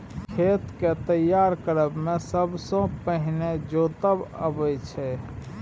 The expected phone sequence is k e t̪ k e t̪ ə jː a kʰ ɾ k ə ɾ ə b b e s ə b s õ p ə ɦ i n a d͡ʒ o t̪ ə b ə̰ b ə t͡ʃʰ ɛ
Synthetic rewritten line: kʰ e t̪ k e t̪ ə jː a ɾ k ə ɾ ə b m e s ə b s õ p ə ɦ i n e d͡ʒ o t̪ ə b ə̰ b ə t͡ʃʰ ɛ